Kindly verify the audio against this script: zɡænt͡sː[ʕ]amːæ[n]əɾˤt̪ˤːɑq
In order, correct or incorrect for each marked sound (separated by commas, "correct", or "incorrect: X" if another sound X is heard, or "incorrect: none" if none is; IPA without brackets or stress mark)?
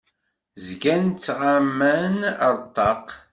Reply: incorrect: ʁ, correct